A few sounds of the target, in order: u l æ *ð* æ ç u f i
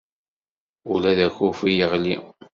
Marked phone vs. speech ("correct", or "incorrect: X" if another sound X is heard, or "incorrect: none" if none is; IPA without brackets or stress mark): correct